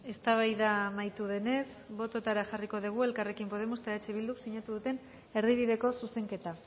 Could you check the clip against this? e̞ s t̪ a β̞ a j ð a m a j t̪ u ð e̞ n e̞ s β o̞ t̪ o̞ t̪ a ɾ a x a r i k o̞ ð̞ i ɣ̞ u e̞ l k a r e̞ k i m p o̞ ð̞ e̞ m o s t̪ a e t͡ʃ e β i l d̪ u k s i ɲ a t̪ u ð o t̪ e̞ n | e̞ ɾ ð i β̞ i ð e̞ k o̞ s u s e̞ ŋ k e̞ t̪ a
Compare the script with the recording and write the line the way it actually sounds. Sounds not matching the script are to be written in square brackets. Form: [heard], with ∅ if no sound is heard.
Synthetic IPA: e̞ s t̪ a β̞ a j ð a m a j t̪ u ð e̞ n e̞ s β o̞ t̪ o̞ t̪ a ɾ a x a r i k o̞ ð̞ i ɣ̞ u e̞ l k a r e̞ k i m p o̞ ð̞ e̞ m o s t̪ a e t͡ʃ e β i l d̪ u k s i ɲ a t̪ u ð [u] t̪ e̞ n | e̞ ɾ ð i β̞ i ð e̞ k o̞ s u s e̞ ŋ k e̞ t̪ a